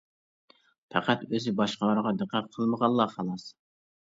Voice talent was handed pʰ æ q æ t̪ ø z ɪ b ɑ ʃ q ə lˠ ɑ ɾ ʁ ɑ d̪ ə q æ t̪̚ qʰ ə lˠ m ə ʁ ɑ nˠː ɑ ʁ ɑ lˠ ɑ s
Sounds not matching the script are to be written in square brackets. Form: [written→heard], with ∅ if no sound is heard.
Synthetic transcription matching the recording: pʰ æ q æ t̪ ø z ɪ b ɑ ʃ q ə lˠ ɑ ɾ ʁ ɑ d̪ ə q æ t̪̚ qʰ ə lˠ m ə ʁ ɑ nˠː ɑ [ʁ→χ] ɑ lˠ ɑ s